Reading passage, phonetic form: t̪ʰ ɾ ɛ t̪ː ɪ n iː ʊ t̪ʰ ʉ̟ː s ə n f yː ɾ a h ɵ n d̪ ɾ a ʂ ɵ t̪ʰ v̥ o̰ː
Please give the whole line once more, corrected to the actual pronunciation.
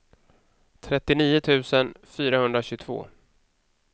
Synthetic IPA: t̪ʰ ɾ ɛ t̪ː ɪ n iː ʊ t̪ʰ ʉ̟ː s ə n f yː ɾ a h ɵ n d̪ ɾ a ɕ ɵ t̪ʰ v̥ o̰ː

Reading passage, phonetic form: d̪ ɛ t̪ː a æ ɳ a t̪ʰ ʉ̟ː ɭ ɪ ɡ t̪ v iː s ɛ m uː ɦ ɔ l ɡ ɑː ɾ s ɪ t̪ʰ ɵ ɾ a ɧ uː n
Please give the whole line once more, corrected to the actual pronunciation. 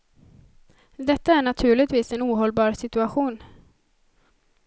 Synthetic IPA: d̪ ɛ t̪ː a æ ɳ a t̪ʰ ʉ̟ː ɭ ɪ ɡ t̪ v iː s ɛ n uː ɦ ɔ l b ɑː ɾ s ɪ t̪ ɵ a ɧ uː n

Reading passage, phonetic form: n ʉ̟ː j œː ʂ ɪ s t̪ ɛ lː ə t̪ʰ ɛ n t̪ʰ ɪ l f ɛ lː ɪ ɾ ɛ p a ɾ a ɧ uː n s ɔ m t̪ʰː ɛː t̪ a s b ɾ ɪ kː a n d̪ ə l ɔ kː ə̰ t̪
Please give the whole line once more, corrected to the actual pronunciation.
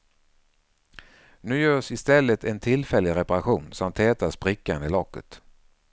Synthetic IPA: n ʉ̟ː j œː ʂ ɪ s t̪ ɛ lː ə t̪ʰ ɛ n t̪ʰ ɪ l f ɛ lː ɪ ɾ ɛ p a ɾ a ɧ uː n s ɔ m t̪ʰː ɛː t̪ a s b ɾ ɪ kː a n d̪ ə l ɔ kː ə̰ t̪

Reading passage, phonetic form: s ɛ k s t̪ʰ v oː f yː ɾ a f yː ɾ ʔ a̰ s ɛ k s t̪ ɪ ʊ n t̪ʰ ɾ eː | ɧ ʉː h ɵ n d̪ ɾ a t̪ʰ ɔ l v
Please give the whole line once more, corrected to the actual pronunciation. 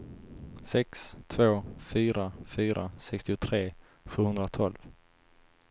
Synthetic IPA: s ɛ k s t̪ʰ v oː f yː ɾ a f yː ɾ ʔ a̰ s ɛ k s t̪ ɪ ʊ t̪ʰ ɾ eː | ɧ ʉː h ɵ n d̪ ɾ a t̪ʰ ɔ l v

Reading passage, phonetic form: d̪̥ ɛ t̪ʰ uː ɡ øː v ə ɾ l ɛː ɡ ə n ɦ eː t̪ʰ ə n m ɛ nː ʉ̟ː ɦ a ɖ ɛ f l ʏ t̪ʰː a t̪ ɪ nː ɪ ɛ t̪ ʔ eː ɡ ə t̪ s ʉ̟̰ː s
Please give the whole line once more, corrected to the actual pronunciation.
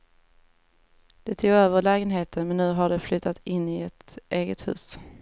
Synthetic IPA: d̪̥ ɛ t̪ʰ uː ɡ øː v ə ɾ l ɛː ɡ ə n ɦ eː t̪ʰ ə n m ɛ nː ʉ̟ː ɦ a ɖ ɛ f l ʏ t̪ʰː a t̪ ɪ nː ɪ ɛ t̪ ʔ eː ɡ ə t̪ h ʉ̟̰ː s

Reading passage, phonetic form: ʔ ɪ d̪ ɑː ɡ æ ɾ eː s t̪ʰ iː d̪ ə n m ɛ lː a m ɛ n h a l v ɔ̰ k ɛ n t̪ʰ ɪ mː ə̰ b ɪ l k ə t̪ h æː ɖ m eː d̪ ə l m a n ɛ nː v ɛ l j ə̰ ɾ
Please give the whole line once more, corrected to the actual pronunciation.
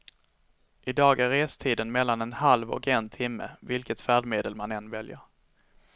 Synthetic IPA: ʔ ɪ d̪ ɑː ɡ æ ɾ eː s t̪ʰ iː d̪ ə n m ɛ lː a n ɛ n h a l v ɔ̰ k ɛ n t̪ʰ ɪ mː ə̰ v ɪ l k ə t̪ f æː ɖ m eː d̪ ə l m a n ɛ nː v ɛ l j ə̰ ɾ

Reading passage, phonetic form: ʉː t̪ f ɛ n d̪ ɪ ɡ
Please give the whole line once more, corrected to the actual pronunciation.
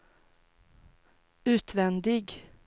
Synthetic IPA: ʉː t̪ v ɛ n d̪ ɪ ɡ

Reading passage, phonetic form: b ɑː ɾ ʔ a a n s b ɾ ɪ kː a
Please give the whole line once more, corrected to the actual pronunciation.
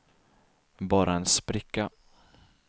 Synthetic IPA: b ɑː ɾ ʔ a ɛ n s p ɾ ɪ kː a

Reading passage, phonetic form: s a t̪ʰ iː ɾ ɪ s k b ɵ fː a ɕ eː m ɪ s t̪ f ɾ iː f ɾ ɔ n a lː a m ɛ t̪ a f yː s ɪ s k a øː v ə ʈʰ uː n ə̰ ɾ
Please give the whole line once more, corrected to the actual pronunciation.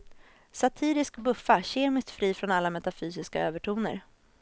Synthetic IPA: s a t̪ʰ iː ɾ ɪ s k b ɵ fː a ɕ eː m ɪ s t̪ f ɾ iː f ɾ ɔ n a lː a m ɛ t̪ a f yː s ɪ s k a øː v ə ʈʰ uː n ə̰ ɾ

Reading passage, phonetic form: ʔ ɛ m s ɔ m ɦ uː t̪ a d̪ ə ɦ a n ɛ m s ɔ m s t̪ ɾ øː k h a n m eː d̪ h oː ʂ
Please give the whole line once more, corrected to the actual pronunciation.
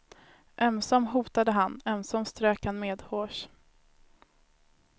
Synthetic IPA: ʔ ɛ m s ɔ m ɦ uː t̪ a d̪ ə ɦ a n ɛ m s ɔ m s t̪ ɾ øː k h a n m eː d̪ h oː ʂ

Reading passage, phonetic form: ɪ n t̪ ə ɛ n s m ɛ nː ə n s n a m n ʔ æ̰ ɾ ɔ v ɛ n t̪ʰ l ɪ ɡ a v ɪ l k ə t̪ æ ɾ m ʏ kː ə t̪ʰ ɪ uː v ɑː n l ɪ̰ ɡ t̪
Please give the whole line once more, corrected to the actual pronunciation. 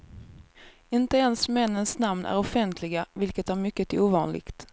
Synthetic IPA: ɪ n t̪ ə ɛ n s m ɛ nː ə n s n a m n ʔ æ̰ ɾ ɔ f ɛ n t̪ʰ l ɪ ɡ a v ɪ l k ə t̪ æ ɾ m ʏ kː ə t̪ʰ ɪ uː v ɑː n l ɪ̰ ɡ t̪

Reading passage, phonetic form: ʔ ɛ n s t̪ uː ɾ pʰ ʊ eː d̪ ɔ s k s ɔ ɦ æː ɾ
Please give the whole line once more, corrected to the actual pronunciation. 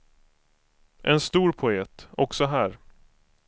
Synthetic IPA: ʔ ɛ n s t̪ uː ɾ pʰ ʊ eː t̪ ɔ k s ɔ ɦ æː ɾ

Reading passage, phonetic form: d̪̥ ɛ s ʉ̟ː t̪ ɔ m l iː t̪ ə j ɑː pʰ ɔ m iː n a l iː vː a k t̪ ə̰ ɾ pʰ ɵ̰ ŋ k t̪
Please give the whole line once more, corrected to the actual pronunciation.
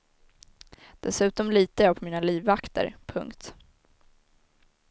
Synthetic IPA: d̪̥ ɛ s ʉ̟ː t̪ ɔ m l iː t̪ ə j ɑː pʰ ɔ m iː n a l iː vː a k t̪ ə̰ ɾ pʰ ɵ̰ ŋ k t̪

